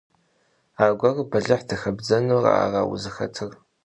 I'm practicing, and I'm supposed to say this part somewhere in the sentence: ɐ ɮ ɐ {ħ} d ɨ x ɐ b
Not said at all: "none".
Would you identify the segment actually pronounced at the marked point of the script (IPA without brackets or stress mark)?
ħ